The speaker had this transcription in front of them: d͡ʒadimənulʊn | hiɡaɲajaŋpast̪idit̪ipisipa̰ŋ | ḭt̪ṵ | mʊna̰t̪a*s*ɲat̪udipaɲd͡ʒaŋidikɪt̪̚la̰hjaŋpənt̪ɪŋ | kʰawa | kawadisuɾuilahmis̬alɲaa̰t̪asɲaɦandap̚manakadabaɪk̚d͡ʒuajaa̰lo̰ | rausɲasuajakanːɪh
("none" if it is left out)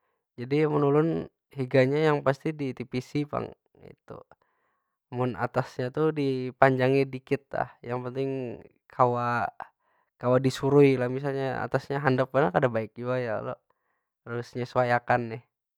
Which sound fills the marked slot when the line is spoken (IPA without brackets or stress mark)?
s